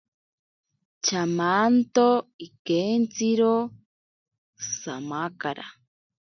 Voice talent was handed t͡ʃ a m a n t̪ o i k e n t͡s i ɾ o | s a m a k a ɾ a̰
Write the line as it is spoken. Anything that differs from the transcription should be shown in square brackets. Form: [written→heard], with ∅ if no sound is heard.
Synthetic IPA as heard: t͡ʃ a m a n t̪ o i k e n t͡s i ɾ o | s a m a k a ɾ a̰